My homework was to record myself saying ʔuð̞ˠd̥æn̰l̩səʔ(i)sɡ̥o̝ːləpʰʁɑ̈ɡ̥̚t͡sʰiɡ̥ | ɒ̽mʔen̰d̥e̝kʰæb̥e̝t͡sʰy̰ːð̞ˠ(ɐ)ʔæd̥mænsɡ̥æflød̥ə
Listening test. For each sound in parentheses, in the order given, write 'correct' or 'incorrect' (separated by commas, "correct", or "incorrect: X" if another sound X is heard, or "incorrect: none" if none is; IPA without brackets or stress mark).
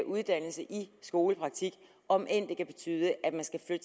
correct, incorrect: ə